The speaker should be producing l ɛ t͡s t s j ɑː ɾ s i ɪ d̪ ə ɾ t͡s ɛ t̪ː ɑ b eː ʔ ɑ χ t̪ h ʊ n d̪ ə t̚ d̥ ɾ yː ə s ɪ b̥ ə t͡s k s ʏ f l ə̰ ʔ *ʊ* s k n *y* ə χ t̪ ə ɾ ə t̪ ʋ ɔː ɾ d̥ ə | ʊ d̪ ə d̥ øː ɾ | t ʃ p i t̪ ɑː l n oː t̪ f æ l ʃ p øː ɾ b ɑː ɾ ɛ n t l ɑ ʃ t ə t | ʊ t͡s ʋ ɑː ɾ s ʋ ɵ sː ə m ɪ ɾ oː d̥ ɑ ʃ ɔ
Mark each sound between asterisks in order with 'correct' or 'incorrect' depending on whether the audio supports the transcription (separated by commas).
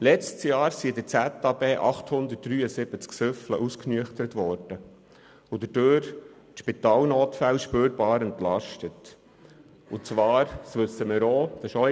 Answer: incorrect, correct